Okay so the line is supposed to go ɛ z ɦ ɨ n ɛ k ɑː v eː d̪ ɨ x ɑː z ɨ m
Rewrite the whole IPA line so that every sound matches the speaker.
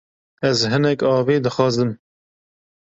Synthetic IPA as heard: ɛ z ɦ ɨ n ɛ k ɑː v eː d̪ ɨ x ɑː z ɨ m